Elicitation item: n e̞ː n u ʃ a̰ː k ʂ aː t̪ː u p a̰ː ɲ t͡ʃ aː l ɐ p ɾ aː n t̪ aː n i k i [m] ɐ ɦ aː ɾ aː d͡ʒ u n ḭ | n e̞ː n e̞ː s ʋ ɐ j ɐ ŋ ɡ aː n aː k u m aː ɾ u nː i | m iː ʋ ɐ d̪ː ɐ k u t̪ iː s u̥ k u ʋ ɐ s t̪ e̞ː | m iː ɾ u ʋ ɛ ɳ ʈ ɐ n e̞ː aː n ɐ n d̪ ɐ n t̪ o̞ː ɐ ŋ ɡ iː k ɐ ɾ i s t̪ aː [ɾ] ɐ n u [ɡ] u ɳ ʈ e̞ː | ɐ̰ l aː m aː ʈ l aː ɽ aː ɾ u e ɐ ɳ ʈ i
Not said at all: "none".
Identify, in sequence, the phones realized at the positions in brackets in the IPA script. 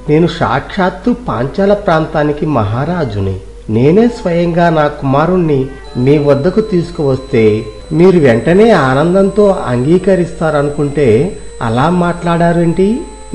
m, ɾ, k

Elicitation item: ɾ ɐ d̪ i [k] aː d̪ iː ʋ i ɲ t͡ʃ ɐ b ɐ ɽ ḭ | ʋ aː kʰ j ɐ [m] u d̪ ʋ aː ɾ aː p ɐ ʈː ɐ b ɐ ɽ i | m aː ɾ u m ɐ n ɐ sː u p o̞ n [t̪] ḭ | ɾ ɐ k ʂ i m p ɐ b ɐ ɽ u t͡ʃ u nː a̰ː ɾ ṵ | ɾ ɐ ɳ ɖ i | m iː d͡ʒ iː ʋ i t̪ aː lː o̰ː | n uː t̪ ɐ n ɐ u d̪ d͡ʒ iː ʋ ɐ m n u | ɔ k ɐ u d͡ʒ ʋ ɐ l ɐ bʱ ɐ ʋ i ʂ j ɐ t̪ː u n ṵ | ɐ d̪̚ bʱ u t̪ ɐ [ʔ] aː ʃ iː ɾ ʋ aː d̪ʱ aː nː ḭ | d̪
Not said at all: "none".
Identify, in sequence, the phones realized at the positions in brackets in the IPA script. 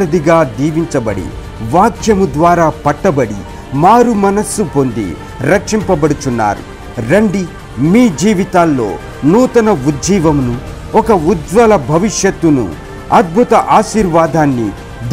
ɡ, m, d̪, ʔ

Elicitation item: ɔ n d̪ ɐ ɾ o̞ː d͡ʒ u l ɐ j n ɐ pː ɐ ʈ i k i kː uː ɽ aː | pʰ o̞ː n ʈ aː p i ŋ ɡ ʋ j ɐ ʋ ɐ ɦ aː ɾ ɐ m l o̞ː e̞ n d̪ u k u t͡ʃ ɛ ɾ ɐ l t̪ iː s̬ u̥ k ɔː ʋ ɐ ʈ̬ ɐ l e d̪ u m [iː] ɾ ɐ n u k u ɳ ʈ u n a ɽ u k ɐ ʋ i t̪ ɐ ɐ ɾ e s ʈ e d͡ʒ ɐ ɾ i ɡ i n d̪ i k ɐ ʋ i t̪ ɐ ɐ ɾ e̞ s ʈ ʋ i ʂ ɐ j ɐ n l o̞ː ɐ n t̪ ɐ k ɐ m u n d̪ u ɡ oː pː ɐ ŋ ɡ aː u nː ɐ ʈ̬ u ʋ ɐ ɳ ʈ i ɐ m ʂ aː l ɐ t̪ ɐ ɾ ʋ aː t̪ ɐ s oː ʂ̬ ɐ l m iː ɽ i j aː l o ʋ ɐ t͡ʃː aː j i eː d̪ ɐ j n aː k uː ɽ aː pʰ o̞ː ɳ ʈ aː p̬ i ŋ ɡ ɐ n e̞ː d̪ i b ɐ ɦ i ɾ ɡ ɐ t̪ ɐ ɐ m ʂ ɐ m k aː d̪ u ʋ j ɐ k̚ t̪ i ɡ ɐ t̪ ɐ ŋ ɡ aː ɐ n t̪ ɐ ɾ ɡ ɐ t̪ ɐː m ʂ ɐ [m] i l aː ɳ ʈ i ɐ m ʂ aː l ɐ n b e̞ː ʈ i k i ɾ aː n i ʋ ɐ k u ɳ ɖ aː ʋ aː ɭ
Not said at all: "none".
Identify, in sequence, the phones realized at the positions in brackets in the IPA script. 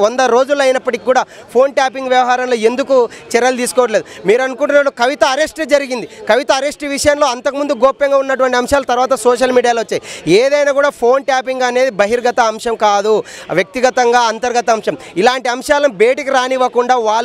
iː, m

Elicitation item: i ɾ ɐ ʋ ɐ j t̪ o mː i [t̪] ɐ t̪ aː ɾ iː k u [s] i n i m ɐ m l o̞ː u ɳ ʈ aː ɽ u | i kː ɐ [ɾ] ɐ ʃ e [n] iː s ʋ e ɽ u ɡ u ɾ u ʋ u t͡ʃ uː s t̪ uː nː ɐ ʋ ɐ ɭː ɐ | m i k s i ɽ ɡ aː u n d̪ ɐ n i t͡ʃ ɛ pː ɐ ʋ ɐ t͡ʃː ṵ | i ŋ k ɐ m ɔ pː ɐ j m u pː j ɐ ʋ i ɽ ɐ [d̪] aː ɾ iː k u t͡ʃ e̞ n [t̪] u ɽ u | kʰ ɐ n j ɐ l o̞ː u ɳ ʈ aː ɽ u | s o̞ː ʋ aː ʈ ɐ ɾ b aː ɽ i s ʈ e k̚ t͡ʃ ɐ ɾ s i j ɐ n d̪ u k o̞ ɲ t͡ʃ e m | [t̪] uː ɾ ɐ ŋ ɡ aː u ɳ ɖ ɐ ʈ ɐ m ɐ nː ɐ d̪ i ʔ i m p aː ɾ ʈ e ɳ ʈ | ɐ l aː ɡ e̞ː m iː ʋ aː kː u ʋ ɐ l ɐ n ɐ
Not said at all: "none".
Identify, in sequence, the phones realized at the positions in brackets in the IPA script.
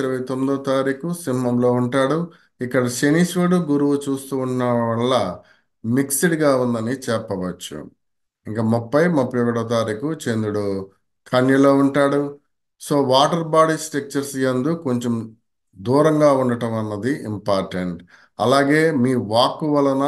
d̪, s, ɽ, n, t̪, d̪, d̪

